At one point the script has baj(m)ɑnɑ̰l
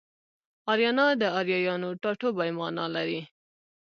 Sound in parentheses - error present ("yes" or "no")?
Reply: no